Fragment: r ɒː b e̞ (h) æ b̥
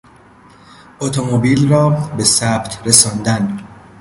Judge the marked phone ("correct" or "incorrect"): incorrect